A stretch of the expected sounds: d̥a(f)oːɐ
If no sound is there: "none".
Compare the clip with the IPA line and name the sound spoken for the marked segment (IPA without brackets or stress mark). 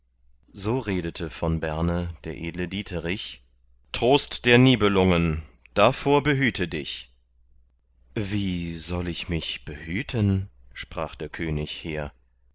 f